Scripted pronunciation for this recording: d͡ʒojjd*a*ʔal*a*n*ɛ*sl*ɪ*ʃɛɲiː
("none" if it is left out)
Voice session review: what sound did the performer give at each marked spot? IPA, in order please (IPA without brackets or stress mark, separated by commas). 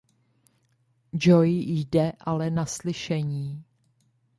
ɛ, ɛ, a, ɪ